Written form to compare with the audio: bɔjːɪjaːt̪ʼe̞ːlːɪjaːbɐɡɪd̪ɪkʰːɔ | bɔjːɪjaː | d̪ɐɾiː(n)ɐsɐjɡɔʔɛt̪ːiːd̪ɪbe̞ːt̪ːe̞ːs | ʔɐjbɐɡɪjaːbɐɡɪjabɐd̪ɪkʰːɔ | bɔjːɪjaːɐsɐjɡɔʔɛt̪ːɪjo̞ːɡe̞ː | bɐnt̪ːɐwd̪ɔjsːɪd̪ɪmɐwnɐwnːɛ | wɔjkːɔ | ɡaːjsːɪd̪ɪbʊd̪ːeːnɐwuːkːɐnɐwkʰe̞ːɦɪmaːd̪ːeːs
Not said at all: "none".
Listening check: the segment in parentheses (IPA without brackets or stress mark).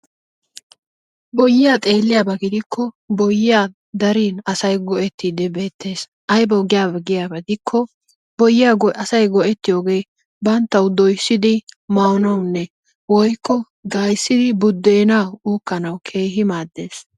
n